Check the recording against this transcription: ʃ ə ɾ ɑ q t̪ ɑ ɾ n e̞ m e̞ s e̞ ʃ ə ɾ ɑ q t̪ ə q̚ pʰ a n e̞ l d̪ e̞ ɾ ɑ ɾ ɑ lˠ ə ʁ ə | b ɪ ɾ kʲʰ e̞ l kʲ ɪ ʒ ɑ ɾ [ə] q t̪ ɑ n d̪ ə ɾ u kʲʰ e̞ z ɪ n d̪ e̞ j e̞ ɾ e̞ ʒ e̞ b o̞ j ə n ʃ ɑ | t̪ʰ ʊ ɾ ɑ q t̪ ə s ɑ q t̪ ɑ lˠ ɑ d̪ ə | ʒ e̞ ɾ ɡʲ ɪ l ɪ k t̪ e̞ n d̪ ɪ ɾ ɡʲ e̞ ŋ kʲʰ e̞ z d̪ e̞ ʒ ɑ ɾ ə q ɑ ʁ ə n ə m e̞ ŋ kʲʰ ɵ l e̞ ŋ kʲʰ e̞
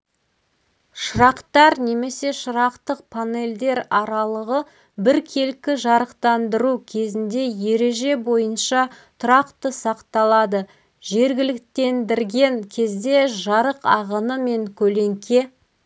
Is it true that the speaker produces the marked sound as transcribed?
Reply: yes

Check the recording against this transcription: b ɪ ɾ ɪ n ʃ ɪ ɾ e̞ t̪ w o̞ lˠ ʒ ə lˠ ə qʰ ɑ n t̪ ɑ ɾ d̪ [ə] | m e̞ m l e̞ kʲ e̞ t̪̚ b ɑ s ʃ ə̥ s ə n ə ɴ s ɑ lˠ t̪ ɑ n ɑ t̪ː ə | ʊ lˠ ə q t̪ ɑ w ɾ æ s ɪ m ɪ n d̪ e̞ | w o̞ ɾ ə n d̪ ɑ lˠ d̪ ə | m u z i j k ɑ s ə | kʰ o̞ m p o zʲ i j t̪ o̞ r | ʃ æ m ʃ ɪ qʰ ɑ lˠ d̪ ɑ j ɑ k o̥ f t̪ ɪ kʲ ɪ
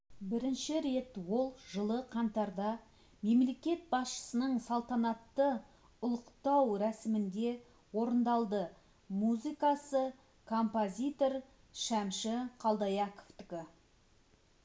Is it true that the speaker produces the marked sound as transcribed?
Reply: no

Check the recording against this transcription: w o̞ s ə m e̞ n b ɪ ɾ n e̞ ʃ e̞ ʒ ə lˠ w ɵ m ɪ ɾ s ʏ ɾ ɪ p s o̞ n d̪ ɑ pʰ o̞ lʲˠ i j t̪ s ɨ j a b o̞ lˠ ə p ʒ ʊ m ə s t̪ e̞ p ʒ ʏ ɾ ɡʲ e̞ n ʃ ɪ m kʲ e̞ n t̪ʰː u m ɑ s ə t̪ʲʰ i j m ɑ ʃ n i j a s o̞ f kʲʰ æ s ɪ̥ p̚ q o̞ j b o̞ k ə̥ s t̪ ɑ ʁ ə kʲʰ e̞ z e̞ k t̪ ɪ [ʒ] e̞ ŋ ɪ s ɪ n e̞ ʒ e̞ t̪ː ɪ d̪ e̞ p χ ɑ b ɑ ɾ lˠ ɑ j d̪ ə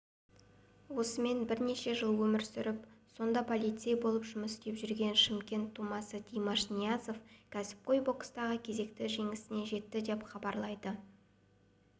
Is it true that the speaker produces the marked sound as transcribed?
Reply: yes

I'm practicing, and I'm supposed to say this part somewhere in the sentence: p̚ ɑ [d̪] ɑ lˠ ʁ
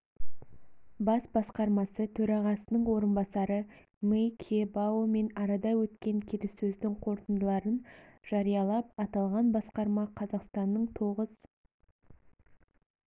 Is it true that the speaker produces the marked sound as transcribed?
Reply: no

